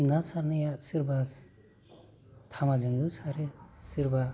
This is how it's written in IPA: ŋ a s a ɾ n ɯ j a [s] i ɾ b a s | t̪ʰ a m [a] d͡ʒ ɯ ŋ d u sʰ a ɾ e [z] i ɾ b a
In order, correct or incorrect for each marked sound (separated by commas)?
correct, correct, incorrect